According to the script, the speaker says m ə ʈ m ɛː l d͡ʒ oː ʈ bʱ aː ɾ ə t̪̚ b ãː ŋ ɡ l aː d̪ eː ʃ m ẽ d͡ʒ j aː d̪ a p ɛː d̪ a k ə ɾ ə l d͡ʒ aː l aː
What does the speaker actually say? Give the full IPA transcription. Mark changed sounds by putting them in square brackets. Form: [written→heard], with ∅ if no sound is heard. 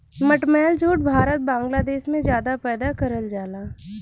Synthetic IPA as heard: m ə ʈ m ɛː l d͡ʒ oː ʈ bʱ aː ɾ ə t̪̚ b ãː ŋ ɡ l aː d̪ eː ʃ m ẽ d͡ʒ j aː d̪ a p ɛː d̪ a k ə ɾ ə l d͡ʒ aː l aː